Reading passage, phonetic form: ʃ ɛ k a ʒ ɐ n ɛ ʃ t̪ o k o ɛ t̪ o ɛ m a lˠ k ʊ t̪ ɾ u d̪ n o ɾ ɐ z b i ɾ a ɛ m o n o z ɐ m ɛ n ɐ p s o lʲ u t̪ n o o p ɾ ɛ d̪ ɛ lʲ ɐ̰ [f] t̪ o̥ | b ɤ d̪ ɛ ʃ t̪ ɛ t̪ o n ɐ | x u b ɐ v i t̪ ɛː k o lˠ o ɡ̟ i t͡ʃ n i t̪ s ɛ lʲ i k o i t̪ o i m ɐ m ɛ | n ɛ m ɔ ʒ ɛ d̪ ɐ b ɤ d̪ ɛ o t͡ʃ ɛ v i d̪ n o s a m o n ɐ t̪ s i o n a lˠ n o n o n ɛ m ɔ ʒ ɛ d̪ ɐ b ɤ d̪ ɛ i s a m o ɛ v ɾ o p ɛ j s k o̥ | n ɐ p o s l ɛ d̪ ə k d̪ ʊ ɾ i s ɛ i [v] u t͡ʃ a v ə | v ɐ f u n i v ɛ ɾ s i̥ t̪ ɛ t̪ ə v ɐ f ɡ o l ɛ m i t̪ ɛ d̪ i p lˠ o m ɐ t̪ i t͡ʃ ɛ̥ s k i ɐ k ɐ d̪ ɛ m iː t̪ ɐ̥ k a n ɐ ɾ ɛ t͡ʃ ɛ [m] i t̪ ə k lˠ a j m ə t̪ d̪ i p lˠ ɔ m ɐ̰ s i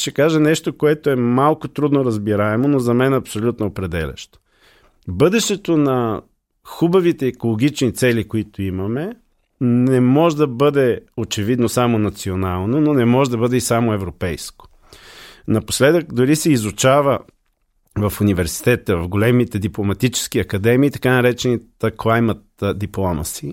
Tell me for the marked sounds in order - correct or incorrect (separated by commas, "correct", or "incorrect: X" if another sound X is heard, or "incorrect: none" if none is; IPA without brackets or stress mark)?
incorrect: ʃ, incorrect: z, incorrect: n